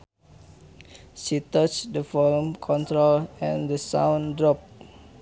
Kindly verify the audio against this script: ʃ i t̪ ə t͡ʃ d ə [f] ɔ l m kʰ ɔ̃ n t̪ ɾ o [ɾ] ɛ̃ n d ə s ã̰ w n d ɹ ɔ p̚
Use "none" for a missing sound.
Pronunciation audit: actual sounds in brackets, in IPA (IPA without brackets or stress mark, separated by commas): f, l